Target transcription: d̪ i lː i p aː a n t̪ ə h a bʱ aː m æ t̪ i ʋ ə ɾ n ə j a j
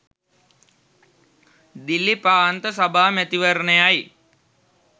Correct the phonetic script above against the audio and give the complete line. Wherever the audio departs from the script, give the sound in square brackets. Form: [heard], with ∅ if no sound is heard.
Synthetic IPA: d̪ i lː i p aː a n t̪ ə [s] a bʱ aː m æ t̪ i ʋ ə ɾ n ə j a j